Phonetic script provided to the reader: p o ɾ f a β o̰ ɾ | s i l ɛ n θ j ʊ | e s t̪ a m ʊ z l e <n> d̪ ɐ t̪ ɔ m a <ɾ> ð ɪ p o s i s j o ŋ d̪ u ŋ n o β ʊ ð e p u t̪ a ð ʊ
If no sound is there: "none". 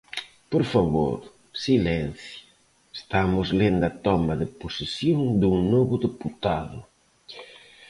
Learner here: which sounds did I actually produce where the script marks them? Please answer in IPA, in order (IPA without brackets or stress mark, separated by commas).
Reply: n, none